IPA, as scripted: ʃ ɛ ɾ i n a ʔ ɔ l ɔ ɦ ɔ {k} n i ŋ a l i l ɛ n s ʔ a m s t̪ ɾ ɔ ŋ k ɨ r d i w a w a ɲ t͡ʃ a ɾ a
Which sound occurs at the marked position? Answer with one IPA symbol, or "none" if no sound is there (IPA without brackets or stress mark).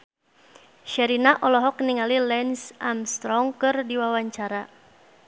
k